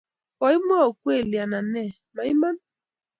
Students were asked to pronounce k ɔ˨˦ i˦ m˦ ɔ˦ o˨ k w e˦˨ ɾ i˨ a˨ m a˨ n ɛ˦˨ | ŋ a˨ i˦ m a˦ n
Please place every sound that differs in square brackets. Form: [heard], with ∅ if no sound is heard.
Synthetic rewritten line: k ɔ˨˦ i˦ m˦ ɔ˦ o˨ k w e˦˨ [l] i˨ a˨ [n] a˨ n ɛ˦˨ | [m] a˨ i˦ m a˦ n